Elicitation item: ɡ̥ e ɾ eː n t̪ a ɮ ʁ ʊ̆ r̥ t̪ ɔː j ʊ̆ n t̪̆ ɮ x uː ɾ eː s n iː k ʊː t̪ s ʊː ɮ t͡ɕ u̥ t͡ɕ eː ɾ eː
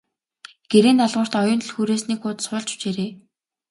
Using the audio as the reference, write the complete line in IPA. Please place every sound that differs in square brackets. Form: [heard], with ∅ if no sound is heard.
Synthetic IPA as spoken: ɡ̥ e ɾ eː n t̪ a ɮ ʁ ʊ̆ r̥ t̪ [ɔ] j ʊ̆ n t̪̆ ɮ x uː ɾ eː s n iː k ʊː t̪ s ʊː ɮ t͡ɕ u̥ t͡ɕ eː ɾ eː